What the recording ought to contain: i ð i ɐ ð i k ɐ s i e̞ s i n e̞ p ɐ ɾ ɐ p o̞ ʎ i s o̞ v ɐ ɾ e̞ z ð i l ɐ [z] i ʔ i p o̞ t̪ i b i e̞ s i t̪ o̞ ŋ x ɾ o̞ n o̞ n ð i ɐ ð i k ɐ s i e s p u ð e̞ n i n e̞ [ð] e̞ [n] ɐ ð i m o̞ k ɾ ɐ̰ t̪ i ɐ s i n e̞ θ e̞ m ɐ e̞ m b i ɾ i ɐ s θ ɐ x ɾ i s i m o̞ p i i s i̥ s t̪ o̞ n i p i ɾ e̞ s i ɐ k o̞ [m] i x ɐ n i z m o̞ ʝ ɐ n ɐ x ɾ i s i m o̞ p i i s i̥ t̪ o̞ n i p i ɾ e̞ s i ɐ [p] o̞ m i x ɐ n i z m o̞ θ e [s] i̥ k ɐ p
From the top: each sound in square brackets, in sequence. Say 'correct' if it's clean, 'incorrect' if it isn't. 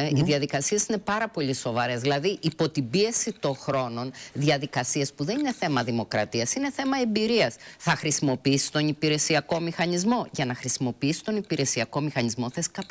incorrect: ð, incorrect: θ, incorrect: m, correct, incorrect: k, correct

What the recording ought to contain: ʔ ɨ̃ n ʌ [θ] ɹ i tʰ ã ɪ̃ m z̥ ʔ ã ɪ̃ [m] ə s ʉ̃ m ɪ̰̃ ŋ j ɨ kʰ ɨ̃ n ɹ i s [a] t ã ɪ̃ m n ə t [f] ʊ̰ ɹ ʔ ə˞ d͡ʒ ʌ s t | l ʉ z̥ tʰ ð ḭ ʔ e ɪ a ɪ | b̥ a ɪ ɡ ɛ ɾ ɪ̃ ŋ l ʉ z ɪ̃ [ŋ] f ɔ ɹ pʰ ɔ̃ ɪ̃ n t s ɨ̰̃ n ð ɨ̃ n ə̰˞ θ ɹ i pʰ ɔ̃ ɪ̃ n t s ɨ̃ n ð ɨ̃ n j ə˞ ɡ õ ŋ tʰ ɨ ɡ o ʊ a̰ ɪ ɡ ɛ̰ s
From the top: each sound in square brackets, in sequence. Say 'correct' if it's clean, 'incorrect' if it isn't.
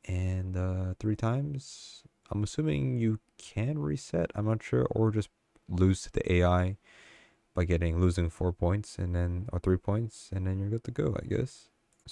correct, correct, incorrect: ɛ, incorrect: ʃ, correct

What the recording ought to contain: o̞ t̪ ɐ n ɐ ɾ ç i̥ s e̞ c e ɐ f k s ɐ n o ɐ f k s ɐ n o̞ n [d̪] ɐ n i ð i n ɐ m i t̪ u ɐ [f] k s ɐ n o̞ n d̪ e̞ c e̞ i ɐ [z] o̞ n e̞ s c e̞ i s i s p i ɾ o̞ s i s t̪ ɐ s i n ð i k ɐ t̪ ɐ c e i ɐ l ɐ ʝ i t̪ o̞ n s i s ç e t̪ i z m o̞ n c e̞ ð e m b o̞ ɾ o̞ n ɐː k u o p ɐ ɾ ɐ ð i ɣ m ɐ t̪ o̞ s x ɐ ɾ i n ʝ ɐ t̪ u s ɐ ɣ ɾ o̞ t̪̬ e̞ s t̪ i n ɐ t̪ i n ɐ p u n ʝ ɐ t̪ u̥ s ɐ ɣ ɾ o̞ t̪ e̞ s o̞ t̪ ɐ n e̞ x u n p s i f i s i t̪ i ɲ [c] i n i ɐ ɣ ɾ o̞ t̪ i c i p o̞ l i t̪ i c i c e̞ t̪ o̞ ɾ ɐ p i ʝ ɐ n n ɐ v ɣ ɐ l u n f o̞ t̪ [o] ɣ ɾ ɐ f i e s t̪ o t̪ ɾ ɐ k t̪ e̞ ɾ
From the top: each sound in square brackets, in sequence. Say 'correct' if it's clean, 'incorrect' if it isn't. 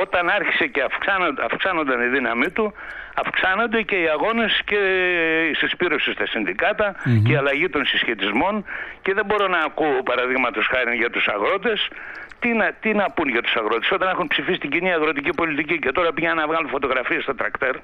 correct, correct, incorrect: ɣ, incorrect: ɟ, correct

